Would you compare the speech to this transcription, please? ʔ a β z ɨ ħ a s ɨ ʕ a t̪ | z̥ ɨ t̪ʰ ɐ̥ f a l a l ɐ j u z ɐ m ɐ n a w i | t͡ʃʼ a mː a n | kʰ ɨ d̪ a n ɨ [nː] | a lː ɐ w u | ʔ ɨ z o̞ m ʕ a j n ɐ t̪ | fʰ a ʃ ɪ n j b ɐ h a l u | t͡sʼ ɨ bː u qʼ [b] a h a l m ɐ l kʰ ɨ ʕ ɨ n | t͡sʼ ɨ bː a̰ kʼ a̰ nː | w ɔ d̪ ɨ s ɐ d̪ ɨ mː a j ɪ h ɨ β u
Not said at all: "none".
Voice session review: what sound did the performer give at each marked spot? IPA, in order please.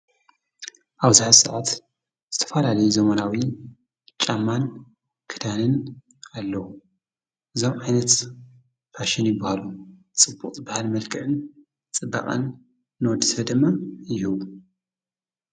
n, b

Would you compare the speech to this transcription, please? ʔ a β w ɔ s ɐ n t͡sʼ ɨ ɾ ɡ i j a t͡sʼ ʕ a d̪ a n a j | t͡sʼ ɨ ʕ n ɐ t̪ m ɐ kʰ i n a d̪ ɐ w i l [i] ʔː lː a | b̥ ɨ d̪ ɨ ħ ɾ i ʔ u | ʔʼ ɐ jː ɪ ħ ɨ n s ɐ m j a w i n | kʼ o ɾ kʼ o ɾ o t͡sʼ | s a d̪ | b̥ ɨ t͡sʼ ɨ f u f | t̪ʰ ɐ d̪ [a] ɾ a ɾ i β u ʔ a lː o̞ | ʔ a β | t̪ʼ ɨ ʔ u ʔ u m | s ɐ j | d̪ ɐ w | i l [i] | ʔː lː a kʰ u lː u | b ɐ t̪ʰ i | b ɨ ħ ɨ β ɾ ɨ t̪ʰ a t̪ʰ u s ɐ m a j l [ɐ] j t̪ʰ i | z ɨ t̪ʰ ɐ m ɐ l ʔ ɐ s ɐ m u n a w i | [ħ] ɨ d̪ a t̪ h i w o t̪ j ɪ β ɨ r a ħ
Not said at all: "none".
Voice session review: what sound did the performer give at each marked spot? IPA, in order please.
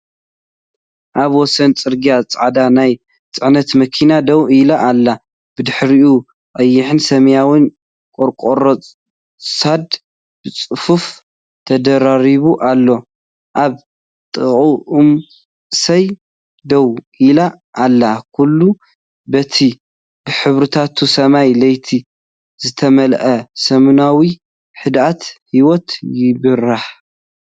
a, ɐ, a, ɐ, ħ

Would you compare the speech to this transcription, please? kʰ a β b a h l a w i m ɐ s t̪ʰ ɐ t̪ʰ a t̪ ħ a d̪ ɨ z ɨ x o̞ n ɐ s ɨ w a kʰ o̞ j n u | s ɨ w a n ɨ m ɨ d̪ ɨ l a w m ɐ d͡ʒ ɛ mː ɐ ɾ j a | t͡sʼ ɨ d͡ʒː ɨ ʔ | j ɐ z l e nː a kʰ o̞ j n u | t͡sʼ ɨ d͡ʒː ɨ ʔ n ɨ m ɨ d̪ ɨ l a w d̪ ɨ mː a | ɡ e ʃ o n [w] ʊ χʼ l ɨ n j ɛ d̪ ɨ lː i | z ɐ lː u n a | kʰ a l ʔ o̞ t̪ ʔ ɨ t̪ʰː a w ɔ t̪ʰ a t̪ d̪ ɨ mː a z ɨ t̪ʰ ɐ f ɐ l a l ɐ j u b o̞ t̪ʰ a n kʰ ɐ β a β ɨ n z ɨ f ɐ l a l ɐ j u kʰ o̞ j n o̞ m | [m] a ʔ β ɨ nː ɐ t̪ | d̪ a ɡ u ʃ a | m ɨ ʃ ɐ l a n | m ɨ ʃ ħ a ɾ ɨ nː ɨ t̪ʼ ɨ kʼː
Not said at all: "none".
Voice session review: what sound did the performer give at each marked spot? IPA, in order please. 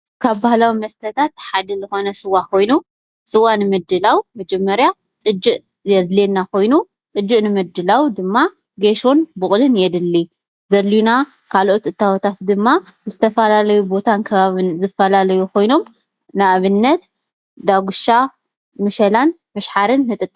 b, n

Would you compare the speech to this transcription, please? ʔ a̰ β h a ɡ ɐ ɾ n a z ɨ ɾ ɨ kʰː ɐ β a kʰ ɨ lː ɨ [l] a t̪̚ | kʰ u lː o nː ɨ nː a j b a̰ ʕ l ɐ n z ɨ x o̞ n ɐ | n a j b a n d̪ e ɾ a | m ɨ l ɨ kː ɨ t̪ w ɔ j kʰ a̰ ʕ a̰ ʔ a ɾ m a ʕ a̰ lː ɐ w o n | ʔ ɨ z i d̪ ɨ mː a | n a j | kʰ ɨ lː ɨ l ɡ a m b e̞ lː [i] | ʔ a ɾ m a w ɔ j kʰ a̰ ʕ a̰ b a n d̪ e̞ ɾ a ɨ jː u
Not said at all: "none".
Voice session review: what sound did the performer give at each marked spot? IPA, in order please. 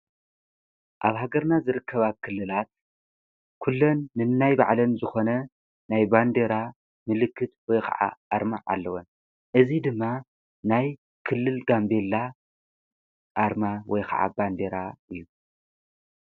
l, a

